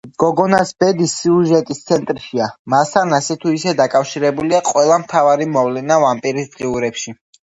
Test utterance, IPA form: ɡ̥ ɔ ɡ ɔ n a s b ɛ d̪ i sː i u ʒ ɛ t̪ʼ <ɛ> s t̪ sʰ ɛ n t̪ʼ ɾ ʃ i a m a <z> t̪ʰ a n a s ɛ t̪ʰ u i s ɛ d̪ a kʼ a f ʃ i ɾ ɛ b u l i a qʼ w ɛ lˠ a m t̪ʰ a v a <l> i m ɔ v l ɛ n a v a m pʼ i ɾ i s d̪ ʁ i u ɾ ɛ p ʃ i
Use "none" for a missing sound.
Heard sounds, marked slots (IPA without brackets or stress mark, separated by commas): i, s, ɾ